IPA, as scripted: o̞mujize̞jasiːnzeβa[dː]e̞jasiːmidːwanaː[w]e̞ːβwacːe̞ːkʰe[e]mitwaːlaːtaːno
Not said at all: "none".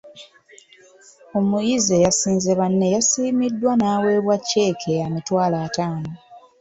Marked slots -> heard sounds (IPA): nː, w, a

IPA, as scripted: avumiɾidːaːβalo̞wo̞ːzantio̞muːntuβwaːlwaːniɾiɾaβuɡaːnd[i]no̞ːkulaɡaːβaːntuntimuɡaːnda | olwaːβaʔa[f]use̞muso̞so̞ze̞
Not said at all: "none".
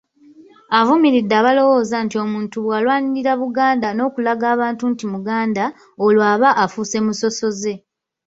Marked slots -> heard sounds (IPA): a, f

